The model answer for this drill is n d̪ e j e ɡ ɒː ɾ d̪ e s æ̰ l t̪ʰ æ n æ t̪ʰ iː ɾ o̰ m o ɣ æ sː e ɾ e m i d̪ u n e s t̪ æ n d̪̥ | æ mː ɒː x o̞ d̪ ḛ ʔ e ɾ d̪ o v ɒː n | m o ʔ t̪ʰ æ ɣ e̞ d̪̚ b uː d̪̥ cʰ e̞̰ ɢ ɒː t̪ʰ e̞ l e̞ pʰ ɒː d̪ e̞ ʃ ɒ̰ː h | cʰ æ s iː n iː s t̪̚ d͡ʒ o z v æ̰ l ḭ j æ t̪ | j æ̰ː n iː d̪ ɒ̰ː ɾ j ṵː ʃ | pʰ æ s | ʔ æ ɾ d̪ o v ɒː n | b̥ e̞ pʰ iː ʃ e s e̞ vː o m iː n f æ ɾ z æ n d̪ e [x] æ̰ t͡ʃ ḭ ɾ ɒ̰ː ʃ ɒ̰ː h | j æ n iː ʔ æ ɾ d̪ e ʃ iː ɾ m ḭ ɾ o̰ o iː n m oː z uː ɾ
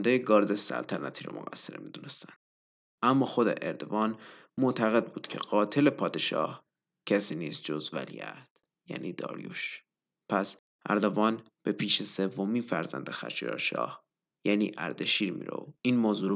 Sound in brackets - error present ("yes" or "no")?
no